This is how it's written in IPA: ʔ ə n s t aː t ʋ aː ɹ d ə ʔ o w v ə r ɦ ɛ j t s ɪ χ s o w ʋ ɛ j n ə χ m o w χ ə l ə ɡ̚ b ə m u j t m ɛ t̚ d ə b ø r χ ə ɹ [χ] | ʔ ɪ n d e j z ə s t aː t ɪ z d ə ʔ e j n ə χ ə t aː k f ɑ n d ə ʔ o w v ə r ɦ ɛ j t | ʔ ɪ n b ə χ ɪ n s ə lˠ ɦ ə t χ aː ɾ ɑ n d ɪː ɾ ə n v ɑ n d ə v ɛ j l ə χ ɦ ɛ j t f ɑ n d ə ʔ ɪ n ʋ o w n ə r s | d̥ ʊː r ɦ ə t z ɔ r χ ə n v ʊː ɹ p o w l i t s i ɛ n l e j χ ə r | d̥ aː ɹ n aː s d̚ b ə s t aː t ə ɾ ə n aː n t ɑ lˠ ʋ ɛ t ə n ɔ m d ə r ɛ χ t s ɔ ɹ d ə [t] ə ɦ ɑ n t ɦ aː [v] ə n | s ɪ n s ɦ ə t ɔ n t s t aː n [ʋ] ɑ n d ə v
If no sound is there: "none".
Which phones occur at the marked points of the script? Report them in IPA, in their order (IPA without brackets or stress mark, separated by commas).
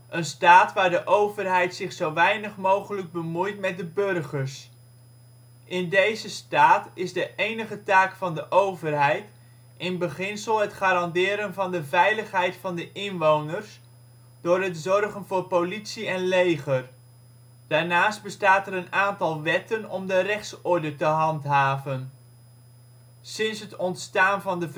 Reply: s, t, v, v